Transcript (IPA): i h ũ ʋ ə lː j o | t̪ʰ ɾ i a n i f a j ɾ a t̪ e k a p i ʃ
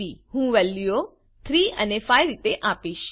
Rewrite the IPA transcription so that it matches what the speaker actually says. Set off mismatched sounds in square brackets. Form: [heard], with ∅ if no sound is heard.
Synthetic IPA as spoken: i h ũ ʋ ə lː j o | t̪ʰ ɾ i [ə] n [e] f a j ɾ [i] t̪ e [ʔ] a p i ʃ